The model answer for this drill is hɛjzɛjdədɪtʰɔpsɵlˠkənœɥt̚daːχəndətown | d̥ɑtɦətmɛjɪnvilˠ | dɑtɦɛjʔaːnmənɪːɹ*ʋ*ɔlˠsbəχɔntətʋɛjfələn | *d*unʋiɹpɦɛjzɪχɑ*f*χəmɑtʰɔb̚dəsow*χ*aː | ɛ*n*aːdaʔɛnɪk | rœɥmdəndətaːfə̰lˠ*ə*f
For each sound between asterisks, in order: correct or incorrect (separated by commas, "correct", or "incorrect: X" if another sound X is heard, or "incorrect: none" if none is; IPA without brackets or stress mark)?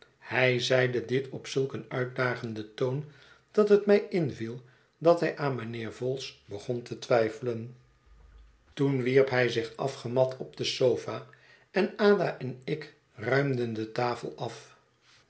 incorrect: v, incorrect: t, correct, incorrect: f, correct, incorrect: ɑ